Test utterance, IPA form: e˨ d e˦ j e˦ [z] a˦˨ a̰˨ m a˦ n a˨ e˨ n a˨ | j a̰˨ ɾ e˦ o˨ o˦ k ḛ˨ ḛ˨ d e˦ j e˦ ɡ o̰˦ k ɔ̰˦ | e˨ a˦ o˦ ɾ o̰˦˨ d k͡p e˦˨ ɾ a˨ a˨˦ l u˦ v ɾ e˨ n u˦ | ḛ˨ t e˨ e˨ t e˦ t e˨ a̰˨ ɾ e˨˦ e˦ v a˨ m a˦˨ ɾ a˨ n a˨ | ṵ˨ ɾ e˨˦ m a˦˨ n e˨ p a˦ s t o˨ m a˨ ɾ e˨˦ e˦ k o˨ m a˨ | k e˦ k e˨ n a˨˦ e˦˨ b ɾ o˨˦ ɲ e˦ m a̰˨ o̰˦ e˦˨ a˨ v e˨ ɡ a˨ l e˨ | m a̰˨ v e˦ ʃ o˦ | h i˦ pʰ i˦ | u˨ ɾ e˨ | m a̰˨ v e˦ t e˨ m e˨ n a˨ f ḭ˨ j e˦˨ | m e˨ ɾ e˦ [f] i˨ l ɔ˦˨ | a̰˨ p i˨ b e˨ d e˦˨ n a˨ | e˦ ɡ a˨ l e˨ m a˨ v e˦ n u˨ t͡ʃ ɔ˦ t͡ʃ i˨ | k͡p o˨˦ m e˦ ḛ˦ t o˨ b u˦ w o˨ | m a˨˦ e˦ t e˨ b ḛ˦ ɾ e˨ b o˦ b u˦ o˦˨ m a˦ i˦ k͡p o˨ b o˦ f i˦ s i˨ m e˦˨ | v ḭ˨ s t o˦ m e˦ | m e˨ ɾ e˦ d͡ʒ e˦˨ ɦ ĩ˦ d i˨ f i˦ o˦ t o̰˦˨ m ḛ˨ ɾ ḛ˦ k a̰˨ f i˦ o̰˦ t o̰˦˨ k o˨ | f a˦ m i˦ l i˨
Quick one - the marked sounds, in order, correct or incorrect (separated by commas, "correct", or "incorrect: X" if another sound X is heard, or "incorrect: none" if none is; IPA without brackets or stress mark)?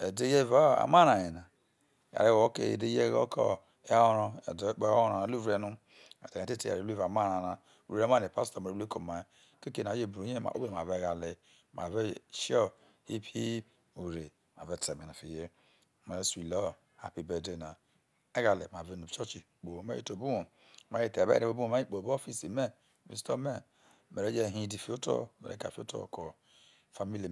incorrect: v, incorrect: s